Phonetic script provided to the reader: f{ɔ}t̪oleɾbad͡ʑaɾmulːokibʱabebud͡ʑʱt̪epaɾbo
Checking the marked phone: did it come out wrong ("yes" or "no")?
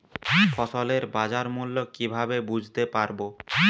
no